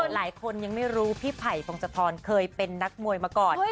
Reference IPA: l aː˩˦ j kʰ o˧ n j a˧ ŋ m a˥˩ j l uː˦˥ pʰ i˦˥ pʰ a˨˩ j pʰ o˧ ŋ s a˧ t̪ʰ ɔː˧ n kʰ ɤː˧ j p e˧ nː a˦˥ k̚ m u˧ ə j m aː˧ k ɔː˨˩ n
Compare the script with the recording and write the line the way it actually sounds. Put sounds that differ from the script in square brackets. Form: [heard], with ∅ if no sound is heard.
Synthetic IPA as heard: l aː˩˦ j kʰ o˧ n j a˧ ŋ m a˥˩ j [ɾ] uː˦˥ pʰ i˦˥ pʰ a˨˩ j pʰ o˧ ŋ s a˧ t̪ʰ ɔː˧ n kʰ ɤː˧ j p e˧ nː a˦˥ k̚ m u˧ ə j m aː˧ k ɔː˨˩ n